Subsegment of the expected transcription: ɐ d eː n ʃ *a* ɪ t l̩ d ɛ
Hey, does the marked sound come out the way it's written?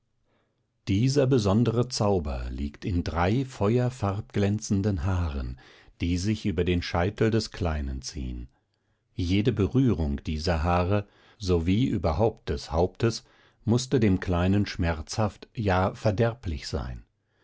yes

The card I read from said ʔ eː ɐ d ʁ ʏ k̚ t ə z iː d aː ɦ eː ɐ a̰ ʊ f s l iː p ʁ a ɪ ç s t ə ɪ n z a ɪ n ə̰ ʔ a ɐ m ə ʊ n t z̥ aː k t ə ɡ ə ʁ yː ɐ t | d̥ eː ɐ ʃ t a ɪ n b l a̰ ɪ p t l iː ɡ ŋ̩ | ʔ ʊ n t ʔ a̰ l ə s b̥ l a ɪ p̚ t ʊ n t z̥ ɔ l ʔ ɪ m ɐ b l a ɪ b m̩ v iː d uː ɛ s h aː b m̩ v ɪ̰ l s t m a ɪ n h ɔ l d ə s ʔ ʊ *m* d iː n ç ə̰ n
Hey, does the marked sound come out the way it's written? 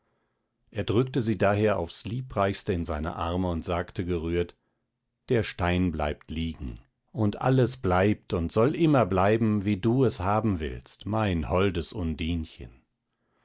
no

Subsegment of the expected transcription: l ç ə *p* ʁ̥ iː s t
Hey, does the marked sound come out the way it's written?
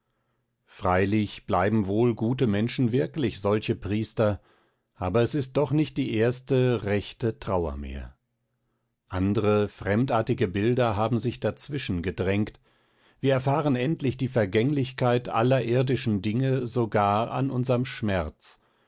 yes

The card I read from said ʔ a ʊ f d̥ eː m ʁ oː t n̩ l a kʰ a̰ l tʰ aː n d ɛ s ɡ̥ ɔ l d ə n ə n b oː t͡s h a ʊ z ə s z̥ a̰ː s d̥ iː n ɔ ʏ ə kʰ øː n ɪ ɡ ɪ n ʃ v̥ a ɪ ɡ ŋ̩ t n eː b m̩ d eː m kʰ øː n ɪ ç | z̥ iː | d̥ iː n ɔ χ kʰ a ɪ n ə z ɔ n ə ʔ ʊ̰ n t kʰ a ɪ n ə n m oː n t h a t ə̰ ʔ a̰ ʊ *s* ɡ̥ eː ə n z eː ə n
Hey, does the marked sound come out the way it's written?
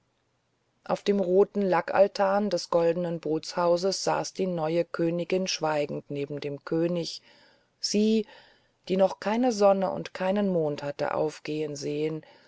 no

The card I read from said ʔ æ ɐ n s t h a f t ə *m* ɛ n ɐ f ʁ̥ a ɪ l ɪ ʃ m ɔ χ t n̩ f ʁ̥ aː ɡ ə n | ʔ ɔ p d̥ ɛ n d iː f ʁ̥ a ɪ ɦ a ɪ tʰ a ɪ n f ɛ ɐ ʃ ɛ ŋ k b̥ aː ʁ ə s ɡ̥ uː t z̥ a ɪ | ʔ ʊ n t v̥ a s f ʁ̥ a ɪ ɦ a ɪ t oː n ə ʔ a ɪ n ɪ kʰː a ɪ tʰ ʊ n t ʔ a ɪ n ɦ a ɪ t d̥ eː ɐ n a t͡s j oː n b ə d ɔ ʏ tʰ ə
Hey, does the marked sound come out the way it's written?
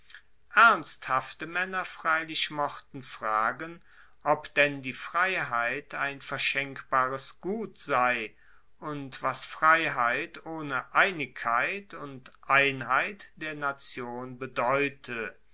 yes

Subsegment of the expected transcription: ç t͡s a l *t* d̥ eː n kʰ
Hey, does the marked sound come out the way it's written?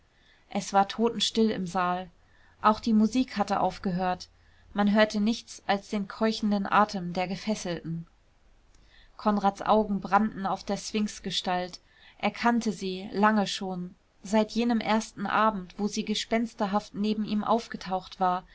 no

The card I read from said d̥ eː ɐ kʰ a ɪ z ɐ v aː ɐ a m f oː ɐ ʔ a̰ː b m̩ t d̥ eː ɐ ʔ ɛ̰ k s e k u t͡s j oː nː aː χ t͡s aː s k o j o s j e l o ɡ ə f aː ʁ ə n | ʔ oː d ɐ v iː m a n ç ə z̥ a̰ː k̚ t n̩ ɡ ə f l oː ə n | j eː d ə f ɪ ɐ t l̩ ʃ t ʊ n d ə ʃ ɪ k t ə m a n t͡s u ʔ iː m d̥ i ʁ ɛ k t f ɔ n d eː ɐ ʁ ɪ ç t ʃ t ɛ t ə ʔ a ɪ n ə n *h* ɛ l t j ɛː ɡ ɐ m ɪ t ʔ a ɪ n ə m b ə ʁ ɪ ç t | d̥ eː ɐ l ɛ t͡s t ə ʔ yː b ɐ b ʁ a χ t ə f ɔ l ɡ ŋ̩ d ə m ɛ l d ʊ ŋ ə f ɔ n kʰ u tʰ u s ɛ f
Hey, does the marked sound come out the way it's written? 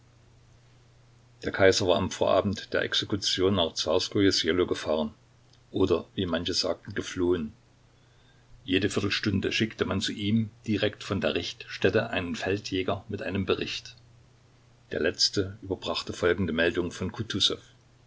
no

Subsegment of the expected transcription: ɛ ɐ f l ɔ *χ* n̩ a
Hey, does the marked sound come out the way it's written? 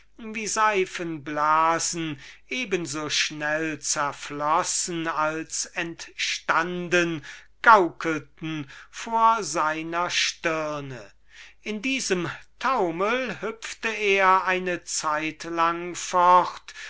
no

